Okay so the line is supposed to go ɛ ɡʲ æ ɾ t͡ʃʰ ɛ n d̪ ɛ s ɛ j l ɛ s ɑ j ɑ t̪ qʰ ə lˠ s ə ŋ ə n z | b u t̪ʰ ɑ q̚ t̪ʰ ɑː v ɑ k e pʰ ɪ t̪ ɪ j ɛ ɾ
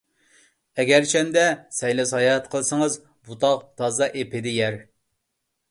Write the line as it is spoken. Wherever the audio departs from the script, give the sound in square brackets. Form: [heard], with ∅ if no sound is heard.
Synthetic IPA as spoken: ɛ ɡʲ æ ɾ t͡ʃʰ ɛ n d̪ ɛ s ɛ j l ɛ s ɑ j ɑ t̪ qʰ ə lˠ s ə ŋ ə [∅] z | b u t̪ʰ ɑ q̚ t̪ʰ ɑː [z] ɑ [ʔ] e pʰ ɪ [d̪] ɪ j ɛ ɾ